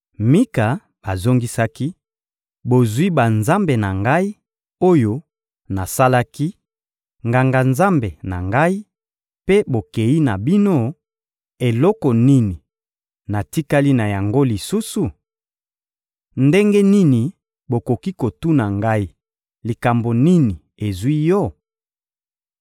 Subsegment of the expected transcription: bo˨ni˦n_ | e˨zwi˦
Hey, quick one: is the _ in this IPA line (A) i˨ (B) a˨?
A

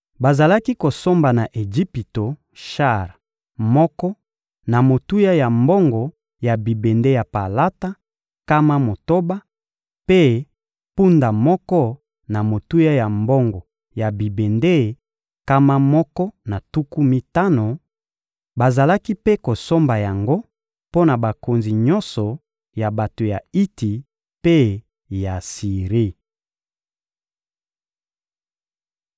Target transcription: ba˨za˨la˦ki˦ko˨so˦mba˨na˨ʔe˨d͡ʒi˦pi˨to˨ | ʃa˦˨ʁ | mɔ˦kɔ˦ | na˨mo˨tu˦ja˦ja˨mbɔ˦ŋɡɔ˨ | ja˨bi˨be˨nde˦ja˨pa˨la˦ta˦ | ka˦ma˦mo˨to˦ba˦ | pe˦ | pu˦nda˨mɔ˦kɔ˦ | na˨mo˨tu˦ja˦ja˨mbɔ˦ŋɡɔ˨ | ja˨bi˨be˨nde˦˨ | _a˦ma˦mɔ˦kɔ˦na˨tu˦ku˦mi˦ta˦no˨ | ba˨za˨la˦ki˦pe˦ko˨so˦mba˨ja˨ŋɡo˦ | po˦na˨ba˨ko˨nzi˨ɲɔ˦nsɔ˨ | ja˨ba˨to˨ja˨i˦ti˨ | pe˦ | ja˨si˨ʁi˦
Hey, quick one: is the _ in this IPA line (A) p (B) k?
B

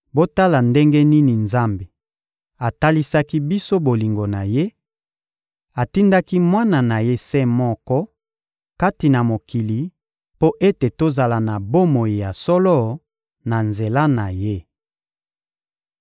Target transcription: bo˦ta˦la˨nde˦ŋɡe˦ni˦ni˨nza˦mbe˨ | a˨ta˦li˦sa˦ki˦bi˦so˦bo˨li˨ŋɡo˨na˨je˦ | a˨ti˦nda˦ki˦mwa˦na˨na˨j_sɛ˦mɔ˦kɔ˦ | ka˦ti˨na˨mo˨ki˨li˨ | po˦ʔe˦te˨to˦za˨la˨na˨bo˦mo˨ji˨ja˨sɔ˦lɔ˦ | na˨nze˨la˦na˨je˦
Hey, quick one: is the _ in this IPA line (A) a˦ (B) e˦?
B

